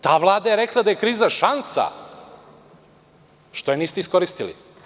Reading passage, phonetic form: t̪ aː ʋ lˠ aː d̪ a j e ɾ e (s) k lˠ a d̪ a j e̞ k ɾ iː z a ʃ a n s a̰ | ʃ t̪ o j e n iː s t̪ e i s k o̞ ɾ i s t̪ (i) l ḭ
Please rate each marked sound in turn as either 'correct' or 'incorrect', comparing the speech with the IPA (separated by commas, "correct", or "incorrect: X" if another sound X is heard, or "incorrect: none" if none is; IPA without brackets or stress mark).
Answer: incorrect: none, correct